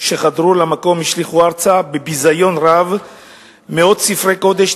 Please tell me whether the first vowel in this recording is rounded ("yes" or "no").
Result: no